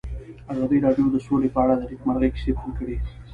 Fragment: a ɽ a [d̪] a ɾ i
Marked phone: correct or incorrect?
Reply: correct